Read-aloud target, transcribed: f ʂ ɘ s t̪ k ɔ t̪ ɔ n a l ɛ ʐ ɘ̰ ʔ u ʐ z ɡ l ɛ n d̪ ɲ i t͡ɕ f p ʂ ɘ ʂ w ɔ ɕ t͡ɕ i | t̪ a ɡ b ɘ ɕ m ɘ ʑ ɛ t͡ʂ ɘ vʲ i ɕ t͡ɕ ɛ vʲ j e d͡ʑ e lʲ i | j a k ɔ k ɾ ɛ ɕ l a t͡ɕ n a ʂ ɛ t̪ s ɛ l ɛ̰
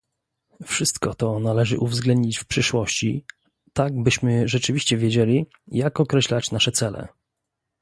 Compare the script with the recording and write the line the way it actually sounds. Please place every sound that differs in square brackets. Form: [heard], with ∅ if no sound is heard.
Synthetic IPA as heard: f ʂ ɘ s t̪ k ɔ t̪ ɔ n a l ɛ ʐ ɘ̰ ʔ u [v] z ɡ l ɛ n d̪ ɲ i t͡ɕ f p ʂ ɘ ʂ w ɔ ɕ t͡ɕ i | t̪ a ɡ b ɘ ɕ m ɘ [ʐ] ɛ t͡ʂ ɘ vʲ i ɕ t͡ɕ ɛ vʲ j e d͡ʑ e lʲ i | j a k ɔ k ɾ ɛ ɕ l a t͡ɕ n a ʂ ɛ t̪ s ɛ l ɛ̰